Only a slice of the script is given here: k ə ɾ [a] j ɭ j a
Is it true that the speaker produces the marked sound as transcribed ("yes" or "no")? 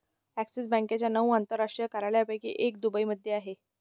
yes